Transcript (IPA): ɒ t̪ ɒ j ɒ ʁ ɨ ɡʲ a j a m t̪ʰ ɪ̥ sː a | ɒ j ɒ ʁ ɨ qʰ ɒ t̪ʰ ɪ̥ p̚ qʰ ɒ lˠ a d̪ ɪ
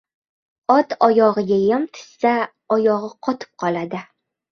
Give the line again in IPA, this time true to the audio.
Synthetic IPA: ɒ t̪ ɒ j ɒ ʁ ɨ ɡʲ a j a m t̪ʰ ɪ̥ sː a | ɒ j ɒ ʁ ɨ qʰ ɒ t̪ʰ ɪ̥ p̚ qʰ ɒ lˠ a d̪ ɪ